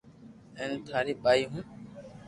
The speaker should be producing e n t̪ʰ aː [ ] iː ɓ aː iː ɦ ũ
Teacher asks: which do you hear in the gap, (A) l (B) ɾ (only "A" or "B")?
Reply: B